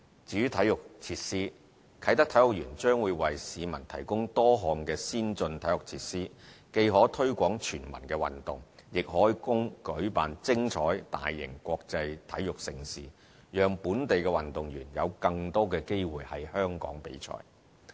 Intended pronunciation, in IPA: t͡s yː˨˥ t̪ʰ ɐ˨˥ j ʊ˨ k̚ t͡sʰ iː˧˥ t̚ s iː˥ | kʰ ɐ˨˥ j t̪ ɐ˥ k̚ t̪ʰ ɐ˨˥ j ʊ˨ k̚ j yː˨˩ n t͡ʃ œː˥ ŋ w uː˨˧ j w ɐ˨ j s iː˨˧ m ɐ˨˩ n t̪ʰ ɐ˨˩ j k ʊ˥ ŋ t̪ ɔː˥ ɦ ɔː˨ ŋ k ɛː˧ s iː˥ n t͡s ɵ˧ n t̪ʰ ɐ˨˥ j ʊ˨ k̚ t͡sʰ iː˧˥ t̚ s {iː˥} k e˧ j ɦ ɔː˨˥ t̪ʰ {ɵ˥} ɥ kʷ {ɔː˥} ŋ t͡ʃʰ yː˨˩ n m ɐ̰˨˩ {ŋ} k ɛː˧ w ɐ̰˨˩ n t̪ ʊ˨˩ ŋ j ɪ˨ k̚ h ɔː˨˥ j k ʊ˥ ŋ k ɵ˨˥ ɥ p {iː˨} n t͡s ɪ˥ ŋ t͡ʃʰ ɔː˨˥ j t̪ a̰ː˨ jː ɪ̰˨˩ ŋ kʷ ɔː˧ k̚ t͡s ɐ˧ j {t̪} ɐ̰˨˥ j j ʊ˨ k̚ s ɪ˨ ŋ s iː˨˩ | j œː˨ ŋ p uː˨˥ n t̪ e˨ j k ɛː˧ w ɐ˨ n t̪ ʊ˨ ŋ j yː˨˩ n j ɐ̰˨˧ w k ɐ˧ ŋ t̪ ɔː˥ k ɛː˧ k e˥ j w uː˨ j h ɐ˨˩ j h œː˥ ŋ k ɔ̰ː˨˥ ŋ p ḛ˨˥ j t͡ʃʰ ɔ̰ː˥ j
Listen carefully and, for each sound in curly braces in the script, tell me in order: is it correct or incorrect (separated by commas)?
correct, correct, incorrect, incorrect, incorrect, incorrect